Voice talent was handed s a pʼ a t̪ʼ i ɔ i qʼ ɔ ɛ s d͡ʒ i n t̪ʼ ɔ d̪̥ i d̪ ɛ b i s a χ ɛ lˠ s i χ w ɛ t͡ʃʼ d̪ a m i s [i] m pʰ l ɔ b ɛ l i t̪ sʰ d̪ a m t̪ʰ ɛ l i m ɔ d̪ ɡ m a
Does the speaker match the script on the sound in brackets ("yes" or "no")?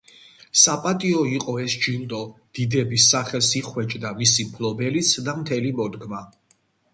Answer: yes